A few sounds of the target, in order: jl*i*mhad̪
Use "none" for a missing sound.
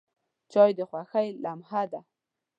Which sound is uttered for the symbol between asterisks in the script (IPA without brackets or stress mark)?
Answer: a